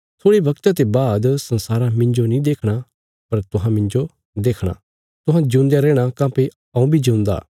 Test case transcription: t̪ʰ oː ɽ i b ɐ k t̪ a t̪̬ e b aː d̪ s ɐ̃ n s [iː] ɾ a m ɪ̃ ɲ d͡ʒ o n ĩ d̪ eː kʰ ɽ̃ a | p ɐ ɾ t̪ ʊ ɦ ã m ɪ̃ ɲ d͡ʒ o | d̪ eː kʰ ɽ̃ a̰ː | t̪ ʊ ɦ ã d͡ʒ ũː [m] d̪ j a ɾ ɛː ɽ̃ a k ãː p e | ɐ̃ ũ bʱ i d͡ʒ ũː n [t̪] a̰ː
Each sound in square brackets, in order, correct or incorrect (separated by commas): incorrect, incorrect, incorrect